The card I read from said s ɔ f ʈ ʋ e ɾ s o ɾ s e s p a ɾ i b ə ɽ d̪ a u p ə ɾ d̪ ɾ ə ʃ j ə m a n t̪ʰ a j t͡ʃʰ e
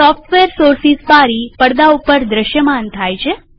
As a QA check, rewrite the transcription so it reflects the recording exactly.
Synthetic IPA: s ɔ f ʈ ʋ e ɾ s o ɾ s i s p a ɾ i p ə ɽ d̪ a u p ə ɾ d̪ ɾ ə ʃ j ə m a n t̪ʰ a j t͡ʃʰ e